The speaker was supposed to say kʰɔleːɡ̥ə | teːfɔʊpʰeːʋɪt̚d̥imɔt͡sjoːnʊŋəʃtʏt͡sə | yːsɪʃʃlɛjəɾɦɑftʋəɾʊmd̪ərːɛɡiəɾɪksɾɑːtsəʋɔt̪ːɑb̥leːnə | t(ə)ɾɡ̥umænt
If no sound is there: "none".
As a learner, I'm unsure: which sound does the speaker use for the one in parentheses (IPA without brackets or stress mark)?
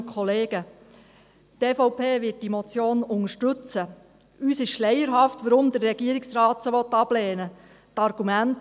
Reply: ɑ